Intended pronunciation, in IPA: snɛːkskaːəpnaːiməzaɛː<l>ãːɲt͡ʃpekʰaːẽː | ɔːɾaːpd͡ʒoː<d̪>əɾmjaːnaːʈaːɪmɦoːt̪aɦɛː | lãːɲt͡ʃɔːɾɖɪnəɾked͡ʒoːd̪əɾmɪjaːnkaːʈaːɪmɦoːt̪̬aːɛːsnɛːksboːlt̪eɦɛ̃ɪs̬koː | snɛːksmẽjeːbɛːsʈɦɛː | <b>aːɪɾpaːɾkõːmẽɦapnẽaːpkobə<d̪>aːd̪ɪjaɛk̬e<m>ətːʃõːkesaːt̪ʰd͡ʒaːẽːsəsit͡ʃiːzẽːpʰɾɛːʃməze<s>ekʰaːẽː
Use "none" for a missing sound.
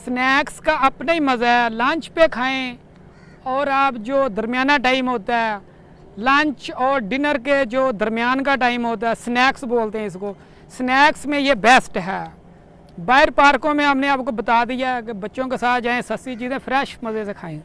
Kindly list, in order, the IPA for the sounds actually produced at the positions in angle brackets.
l, d̪, b, t̪, b, s

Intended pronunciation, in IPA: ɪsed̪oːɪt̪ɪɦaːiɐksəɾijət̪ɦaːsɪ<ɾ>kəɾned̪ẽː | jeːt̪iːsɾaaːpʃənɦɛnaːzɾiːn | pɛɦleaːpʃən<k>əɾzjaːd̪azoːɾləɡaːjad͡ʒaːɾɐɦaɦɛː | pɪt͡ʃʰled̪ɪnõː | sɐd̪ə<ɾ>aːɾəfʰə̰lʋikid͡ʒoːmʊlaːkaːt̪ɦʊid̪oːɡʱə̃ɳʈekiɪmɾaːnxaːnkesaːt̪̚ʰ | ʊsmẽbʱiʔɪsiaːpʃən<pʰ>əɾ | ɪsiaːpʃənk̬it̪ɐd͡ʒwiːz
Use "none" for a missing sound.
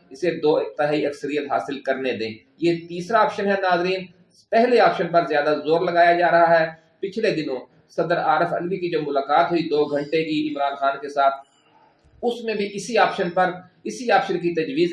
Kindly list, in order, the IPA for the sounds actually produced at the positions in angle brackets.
l, p, ɾ, p

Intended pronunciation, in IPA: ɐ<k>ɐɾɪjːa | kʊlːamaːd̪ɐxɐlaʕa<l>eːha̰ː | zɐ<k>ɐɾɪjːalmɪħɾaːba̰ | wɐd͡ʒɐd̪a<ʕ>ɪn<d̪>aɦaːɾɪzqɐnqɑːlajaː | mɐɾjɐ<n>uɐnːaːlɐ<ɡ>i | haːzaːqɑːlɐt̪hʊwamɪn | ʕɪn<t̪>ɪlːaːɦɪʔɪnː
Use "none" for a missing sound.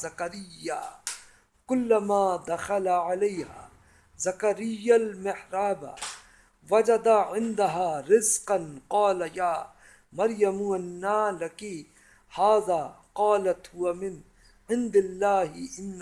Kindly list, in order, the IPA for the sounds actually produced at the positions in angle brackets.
k, l, k, ʕ, d̪, m, k, d̪

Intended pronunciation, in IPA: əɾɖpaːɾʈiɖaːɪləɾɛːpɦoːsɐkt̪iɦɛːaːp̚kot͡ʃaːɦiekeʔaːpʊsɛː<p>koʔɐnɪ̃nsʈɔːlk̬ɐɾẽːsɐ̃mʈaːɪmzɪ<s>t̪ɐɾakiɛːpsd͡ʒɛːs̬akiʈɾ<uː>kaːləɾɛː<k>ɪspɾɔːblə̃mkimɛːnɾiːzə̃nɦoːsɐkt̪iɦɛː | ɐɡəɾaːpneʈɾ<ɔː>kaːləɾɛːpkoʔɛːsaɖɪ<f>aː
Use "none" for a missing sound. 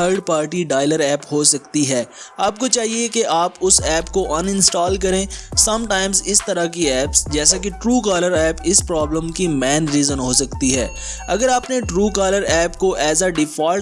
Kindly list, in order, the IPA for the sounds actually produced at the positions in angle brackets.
p, s, uː, p, uː, f

